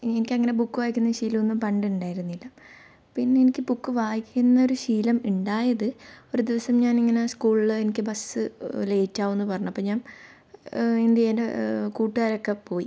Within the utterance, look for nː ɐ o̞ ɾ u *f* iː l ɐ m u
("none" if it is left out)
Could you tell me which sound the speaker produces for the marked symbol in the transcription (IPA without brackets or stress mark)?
ɕ